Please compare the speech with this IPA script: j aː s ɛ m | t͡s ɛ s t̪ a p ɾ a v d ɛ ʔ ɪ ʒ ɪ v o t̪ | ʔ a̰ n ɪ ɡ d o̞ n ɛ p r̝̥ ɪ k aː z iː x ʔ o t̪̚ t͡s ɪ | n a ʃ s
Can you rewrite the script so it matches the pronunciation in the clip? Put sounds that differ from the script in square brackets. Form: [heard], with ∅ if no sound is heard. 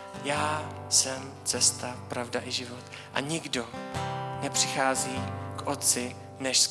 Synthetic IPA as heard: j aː s ɛ m | t͡s ɛ s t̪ a p ɾ a v d [a] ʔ ɪ ʒ ɪ v o t̪ | ʔ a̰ [ɲ] ɪ ɡ d o̞ n ɛ p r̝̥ ɪ [x] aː z iː [k] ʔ o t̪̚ t͡s ɪ | n [ɛ] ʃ s